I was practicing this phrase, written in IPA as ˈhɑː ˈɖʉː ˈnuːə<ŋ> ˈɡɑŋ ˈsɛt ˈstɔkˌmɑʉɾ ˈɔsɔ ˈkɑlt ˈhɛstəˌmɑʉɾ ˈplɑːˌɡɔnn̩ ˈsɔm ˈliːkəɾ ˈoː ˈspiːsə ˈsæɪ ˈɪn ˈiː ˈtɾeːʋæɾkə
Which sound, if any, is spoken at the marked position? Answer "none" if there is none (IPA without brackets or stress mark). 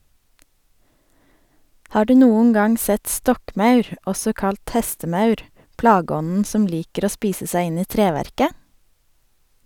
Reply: ŋ